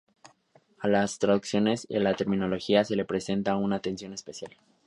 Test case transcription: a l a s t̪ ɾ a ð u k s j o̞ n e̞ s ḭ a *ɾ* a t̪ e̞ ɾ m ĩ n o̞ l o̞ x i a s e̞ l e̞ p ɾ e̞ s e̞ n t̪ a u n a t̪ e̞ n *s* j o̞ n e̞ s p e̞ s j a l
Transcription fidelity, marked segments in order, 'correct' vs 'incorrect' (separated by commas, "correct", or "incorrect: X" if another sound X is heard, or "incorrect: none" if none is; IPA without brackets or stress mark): incorrect: l, correct